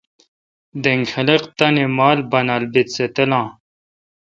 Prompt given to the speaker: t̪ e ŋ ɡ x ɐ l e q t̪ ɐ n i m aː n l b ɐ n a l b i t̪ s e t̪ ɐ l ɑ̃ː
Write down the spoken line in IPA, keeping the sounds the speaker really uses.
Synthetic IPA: d̪ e ŋ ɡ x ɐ l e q t̪ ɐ n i m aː l b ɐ n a l b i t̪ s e t̪ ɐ l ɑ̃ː